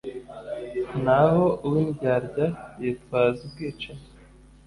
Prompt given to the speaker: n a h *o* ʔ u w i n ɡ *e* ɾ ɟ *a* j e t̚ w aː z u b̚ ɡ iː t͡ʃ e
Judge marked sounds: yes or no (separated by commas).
yes, no, yes